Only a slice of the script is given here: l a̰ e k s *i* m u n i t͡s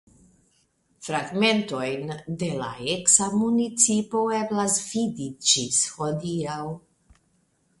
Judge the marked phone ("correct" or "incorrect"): incorrect